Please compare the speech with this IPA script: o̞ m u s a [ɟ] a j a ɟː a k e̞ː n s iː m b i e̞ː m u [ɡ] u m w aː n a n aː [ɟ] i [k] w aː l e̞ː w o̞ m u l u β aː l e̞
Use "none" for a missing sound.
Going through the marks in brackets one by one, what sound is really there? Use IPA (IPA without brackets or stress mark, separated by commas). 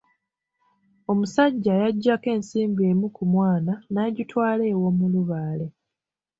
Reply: ɟː, k, ɟ, t